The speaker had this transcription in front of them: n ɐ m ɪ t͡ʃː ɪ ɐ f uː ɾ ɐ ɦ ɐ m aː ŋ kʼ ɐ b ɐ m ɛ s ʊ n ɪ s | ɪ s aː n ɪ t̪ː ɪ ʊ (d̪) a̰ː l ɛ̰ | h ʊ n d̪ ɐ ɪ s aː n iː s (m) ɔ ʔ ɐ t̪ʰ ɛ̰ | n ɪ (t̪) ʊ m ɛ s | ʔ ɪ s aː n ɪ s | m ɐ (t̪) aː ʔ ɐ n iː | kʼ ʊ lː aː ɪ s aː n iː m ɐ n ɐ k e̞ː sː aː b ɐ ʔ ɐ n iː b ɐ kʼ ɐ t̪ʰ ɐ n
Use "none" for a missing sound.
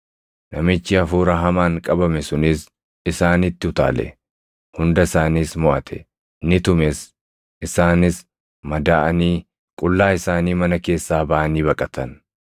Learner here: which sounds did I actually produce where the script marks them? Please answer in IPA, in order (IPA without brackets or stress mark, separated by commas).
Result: t̪, m, t̪, d̪